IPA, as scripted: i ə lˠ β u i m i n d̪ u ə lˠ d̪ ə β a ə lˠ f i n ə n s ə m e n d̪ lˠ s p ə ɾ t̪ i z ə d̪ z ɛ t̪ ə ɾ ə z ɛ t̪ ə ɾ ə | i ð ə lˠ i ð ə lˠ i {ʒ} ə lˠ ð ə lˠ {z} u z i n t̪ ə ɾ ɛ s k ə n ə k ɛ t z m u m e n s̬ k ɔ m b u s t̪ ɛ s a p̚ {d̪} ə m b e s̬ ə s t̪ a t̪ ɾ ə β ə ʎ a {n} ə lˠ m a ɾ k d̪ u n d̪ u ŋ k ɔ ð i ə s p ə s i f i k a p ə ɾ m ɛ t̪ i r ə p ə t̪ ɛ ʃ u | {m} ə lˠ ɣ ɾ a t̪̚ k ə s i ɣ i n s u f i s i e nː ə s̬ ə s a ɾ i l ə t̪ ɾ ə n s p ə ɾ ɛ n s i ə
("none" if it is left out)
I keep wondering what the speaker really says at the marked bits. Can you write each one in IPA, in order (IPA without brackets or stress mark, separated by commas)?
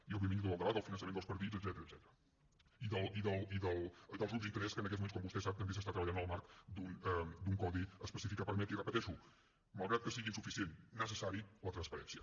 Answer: ð, z, t̪, n, m